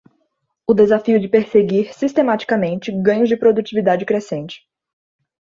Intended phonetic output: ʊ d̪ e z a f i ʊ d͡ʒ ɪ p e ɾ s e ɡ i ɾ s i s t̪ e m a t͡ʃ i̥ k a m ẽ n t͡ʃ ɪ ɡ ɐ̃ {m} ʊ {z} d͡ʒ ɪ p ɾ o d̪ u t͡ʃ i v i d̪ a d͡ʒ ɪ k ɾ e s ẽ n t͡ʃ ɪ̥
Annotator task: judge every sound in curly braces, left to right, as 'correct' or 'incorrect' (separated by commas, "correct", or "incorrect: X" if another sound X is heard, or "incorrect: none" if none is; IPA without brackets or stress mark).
incorrect: ɲ, correct